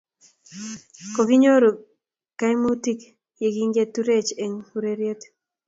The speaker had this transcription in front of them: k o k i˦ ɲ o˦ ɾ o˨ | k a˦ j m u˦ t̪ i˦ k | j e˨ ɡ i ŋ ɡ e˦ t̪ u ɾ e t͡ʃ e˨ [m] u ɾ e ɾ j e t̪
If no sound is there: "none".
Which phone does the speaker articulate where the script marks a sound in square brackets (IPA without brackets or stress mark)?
ŋ